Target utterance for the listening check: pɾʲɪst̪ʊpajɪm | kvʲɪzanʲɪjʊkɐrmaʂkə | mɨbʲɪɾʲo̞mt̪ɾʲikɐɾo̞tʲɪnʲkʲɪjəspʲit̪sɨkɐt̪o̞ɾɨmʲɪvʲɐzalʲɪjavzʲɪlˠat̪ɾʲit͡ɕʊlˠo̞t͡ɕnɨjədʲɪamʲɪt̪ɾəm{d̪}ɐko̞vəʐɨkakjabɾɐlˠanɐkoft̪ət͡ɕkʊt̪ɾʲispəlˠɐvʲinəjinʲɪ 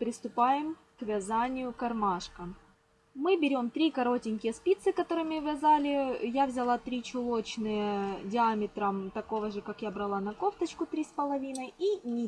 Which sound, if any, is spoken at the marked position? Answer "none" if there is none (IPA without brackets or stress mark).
t̪